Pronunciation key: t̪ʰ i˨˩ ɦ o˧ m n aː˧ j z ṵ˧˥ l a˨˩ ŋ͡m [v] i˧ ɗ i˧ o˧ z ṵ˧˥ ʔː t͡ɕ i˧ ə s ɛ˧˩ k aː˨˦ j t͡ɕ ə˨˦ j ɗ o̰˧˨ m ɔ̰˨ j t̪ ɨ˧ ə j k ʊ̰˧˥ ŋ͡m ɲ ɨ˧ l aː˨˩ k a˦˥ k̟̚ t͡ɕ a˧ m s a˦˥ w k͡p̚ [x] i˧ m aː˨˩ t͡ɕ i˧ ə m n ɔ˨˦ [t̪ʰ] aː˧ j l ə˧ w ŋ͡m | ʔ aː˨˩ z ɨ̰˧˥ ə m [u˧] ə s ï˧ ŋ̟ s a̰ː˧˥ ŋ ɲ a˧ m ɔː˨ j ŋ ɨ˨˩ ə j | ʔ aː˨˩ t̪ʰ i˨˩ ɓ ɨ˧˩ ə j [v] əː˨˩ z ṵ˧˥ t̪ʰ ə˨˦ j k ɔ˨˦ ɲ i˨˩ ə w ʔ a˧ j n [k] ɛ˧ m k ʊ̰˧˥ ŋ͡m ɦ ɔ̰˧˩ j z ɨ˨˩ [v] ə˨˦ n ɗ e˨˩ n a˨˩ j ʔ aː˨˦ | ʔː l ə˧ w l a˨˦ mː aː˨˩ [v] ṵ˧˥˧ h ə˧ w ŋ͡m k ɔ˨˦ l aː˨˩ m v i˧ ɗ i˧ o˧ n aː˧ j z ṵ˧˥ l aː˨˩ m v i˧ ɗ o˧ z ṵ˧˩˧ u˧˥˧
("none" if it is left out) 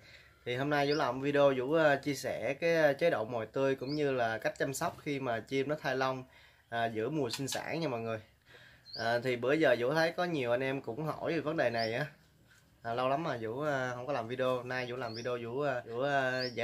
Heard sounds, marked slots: v, x, t̪ʰ, u˨˩, z, ʔ, v, z

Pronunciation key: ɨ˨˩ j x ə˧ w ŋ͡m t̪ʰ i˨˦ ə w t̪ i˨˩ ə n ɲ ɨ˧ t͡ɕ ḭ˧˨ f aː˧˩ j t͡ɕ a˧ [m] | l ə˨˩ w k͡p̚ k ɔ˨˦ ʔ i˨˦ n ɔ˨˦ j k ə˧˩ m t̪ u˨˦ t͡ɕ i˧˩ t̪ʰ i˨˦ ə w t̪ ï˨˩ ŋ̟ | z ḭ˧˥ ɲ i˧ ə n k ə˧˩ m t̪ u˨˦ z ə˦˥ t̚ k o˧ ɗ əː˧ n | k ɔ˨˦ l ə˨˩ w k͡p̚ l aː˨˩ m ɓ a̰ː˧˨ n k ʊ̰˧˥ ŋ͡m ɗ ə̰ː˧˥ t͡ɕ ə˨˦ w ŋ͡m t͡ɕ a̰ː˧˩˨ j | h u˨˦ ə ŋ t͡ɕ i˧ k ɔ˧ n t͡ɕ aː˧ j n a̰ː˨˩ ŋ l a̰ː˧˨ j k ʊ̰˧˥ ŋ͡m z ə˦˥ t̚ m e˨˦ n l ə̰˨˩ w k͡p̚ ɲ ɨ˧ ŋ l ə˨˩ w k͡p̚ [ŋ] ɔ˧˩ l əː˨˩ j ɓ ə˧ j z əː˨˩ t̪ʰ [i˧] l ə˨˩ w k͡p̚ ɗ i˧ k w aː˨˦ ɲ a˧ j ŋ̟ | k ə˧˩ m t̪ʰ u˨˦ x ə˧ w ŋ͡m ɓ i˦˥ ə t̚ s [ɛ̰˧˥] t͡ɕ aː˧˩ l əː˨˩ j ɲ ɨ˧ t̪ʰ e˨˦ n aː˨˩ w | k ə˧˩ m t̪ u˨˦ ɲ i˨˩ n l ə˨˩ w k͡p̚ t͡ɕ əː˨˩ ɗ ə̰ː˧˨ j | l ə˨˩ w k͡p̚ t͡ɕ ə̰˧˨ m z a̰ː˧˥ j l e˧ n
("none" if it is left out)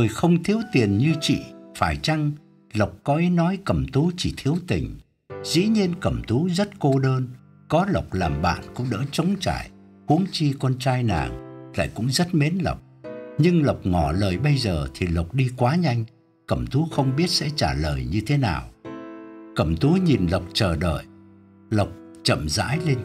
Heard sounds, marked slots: ŋ, ŋ, i˨˩, ɛ̰˧˥

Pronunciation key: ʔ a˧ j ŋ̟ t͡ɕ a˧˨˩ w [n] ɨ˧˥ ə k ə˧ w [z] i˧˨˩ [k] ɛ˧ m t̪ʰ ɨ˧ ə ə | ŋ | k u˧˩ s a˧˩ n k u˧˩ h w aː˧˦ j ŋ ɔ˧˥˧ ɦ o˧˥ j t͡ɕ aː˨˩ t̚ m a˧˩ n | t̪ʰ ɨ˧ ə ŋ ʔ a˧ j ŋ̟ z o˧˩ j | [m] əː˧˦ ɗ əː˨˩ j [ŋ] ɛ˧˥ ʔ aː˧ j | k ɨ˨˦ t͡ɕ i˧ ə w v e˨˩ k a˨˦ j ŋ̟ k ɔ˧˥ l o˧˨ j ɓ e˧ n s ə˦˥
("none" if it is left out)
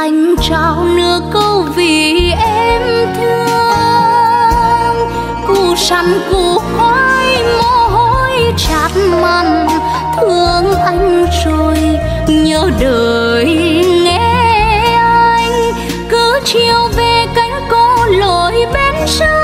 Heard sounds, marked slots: n, v, ʔ, ɲ, ŋ

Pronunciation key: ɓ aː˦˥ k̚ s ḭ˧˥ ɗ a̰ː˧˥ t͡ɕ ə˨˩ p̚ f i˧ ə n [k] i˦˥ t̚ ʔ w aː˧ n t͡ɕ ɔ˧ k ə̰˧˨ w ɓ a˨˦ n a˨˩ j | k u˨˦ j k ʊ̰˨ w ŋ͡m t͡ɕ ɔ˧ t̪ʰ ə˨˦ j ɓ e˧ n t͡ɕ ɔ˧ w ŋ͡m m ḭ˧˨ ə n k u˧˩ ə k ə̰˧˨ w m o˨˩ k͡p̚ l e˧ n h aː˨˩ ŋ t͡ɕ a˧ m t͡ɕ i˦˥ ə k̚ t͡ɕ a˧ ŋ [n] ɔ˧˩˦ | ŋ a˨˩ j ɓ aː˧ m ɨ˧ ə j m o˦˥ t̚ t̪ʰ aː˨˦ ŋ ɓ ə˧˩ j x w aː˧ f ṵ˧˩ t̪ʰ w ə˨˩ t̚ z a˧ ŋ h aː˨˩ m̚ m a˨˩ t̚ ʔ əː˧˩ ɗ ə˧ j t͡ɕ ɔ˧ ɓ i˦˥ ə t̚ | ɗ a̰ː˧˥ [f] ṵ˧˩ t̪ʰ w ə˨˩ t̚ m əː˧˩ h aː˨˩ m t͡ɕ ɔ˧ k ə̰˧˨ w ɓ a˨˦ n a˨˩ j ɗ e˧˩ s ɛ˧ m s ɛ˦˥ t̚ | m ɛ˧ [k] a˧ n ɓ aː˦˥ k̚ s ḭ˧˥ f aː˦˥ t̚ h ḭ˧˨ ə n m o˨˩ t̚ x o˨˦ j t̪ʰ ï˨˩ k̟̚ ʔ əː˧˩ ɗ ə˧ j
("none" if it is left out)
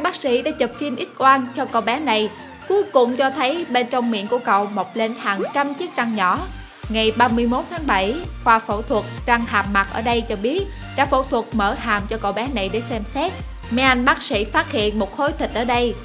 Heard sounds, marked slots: ʔ, ɲ, f, ʔ

